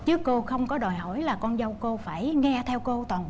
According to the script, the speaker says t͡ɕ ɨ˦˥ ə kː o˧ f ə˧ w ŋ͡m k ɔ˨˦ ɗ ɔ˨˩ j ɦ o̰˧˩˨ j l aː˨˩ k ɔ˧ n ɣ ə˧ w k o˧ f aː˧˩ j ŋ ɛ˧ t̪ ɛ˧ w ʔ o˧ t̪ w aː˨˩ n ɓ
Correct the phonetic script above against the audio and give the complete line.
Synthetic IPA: t͡ɕ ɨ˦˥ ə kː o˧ x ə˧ w ŋ͡m k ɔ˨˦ ɗ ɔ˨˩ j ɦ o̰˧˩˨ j l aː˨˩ k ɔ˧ n z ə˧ w k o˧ f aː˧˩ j ŋ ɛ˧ t̪ʰ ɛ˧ w k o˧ t̪ w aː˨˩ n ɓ